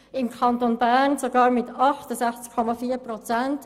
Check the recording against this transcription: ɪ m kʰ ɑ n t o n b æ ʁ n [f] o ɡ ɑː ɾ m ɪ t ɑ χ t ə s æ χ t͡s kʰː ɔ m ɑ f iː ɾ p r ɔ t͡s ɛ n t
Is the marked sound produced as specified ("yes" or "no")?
no